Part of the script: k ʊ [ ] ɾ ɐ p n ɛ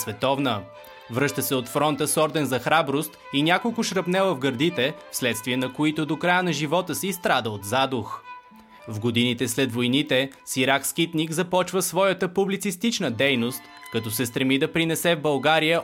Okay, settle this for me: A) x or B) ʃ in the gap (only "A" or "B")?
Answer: B